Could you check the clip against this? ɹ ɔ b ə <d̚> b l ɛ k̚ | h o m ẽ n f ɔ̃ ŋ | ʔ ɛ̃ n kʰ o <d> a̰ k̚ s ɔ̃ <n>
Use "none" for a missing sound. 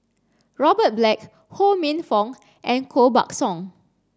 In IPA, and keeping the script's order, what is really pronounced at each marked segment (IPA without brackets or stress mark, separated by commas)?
t̚, b, ŋ